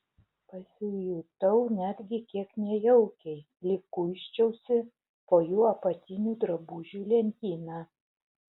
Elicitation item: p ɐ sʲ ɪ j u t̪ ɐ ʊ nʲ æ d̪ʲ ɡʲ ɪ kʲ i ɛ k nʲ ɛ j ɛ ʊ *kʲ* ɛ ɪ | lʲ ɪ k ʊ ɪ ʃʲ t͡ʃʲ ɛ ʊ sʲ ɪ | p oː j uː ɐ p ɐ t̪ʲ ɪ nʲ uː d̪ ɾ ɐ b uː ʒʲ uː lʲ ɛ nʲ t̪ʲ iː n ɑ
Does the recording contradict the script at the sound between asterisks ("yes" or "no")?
no